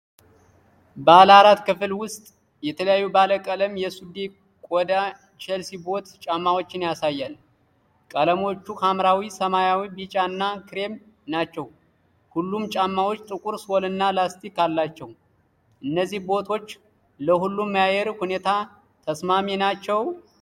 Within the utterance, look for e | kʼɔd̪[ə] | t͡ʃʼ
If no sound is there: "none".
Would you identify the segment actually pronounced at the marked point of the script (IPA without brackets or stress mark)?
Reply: a